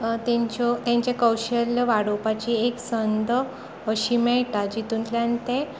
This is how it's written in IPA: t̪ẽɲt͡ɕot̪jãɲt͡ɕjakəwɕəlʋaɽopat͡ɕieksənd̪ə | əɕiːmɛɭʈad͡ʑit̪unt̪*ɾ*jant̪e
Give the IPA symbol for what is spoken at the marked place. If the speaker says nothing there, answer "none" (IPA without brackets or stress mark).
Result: l